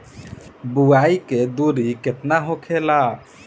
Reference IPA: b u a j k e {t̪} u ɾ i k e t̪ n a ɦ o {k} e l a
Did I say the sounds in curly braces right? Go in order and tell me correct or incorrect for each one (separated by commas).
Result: incorrect, incorrect